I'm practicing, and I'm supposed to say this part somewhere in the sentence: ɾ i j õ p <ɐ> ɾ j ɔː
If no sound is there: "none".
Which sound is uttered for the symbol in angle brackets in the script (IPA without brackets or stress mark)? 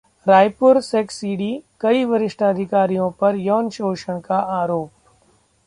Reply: ɐ